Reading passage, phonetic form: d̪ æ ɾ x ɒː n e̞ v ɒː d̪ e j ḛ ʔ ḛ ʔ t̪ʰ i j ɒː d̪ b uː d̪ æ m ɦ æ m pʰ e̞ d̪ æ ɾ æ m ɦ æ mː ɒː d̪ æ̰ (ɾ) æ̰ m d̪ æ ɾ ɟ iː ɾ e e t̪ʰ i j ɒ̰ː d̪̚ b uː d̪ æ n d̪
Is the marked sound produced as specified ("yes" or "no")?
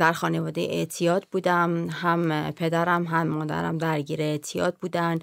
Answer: yes